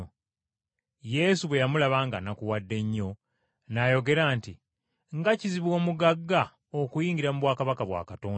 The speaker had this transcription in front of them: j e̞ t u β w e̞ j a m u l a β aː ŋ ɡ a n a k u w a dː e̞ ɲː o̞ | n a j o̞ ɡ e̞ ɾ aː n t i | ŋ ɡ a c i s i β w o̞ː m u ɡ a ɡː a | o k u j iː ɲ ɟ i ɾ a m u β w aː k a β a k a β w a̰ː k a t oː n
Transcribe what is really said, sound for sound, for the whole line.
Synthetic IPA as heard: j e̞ s u β w e̞ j a m u l a β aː ŋ ɡ a n a k u w a dː e̞ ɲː o̞ | n a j o̞ ɡ e̞ ɾ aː n t i | ŋ ɡ a c i z i β w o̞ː m u ɡ a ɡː a | o k u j iː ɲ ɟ i ɾ a m u β w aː k a β a k a β w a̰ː k a t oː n

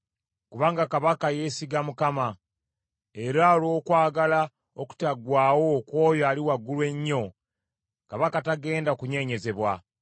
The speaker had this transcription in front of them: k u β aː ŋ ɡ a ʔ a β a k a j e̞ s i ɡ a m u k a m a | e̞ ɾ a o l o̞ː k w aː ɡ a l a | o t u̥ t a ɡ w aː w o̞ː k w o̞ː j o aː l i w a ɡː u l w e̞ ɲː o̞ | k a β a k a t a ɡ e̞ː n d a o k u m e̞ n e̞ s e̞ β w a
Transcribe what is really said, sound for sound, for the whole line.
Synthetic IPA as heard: k u β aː ŋ ɡ a k a β a k a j e̞ s i ɡ a m u k a m a | e̞ ɾ a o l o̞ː k w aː ɡ a l a | o k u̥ t a ɡ w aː w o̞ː k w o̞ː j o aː l i w a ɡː u l w e̞ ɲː o̞ | k a β a k a t a ɡ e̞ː n d a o k u ɲ e̞ ɲ e̞ z e̞ β w a

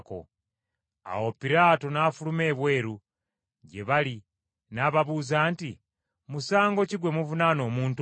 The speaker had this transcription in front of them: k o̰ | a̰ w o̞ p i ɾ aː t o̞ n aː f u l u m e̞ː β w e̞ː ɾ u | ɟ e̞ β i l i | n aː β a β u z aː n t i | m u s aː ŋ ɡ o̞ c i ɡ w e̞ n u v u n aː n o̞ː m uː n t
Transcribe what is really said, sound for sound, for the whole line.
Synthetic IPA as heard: k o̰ | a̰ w o̞ p i ɾ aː t o̞ n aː f u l u m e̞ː β w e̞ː ɾ u | ɟ e̞ β a l i | n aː β a β u z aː n t i | m u s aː ŋ ɡ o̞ c i ɡ w e̞ m u v u n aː n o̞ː m uː n t

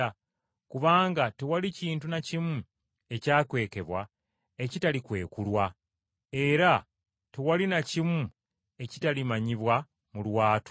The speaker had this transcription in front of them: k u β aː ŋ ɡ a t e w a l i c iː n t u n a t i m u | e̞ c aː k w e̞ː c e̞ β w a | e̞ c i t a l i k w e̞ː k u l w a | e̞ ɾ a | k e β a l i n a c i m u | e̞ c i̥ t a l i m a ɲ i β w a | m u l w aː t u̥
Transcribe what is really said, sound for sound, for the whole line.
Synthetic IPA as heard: k u β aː ŋ ɡ a t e w a l i c iː n t u n a c i m u | e̞ c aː k w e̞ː k e̞ β w a | e̞ c i t a l i k w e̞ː k u l w a | e̞ ɾ a | t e w a l i n a c i m u | e̞ c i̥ t a l i m a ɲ i β w a | m u l w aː t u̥

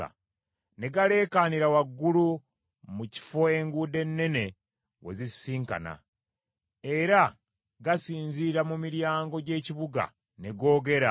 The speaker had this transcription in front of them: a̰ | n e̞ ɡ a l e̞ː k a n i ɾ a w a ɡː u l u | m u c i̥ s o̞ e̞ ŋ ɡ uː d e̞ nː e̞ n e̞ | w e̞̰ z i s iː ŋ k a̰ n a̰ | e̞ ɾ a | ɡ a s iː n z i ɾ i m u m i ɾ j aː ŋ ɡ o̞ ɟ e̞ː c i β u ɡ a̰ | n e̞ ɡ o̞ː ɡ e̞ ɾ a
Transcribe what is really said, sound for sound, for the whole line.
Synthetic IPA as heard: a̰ | n e̞ ɡ a l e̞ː k a n i ɾ a w a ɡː u l u | m u c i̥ f o̞ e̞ ŋ ɡ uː d e̞ nː e̞ n e̞ | w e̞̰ z i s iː ŋ k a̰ n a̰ | e̞ ɾ a | ɡ a s iː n z i ɾ a m u m i ɾ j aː ŋ ɡ o̞ ɟ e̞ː c i β u ɡ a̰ | n e̞ ɡ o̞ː ɡ e̞ ɾ a

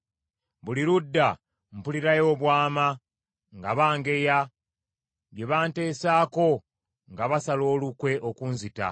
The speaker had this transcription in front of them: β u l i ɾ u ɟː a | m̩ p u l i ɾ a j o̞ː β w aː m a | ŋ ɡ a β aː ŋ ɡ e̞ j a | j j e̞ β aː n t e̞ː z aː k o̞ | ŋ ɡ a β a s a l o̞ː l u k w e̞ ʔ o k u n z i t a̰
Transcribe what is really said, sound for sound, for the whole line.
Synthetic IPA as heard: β u l i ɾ u dː a | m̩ p u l i ɾ a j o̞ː β w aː m a | ŋ ɡ a β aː ŋ ɡ e̞ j a | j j e̞ β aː n t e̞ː s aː k o̞ | ŋ ɡ a β a s a l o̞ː l u k w e̞ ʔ o k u n z i t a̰

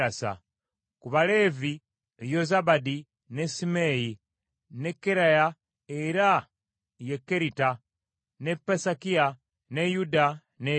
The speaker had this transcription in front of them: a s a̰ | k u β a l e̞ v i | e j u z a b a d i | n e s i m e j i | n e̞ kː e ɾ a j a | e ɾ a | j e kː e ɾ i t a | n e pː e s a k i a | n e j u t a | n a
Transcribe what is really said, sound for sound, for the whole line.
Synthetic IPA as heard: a s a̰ | k u β a l e̞ v i | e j o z a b a d i | n e s i m e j i | n e̞ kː e ɾ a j a | e ɾ a | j e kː e ɾ i t a | n e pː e s a k i a | n e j u d a | n e

